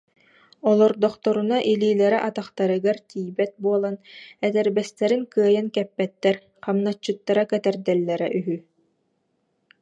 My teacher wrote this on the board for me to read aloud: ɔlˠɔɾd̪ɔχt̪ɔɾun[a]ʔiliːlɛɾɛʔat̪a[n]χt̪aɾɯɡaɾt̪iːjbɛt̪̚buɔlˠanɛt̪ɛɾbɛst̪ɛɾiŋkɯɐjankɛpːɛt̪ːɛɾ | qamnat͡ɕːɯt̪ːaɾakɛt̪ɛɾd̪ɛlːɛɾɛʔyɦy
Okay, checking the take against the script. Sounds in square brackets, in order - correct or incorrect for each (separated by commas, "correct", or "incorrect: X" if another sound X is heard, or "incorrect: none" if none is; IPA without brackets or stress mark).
correct, incorrect: none